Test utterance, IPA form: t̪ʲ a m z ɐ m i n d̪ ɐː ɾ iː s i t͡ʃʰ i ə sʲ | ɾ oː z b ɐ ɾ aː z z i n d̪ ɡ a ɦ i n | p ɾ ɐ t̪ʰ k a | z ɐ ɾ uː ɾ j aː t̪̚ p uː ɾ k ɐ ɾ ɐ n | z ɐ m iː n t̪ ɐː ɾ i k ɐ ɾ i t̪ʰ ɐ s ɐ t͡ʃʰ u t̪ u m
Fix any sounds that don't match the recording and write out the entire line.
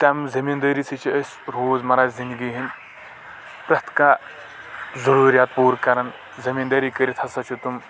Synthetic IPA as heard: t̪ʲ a m z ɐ m i n d̪ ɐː ɾ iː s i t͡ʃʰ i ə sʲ | ɾ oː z m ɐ ɾ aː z z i n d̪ ɡ i ɦ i n | p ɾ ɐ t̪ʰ k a | z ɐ ɾ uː ɾ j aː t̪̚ p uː ɾ k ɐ ɾ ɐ n | z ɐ m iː n d̪ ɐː ɾ i k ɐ ɾ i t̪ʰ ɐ s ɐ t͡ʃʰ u t̪ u m